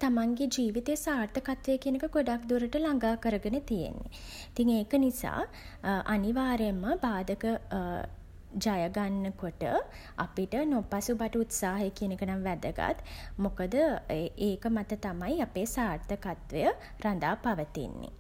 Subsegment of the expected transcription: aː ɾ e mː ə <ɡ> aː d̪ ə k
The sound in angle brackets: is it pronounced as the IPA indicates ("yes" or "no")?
no